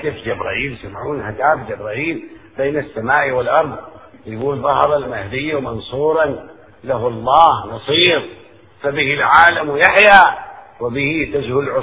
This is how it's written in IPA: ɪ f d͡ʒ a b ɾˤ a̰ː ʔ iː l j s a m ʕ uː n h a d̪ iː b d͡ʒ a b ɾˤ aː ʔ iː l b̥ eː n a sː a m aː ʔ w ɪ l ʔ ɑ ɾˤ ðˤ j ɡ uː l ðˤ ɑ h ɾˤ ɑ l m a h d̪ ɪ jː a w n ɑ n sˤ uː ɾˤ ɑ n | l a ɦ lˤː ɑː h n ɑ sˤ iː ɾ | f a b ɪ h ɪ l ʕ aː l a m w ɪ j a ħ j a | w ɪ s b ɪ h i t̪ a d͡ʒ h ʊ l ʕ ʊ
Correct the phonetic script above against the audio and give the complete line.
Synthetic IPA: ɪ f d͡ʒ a b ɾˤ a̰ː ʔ iː l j s a m ʕ uː n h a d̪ aː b d͡ʒ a b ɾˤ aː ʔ iː l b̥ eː n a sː a m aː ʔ w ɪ l ʔ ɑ ɾˤ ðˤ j ɡ uː l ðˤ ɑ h ɾˤ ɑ l m a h d̪ ɪ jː a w m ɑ n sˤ uː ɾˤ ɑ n | l a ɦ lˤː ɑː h n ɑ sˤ iː ɾ | f a b ɪ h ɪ l ʕ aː l a m w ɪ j a ħ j a | w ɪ b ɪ h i t̪ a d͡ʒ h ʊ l ʕ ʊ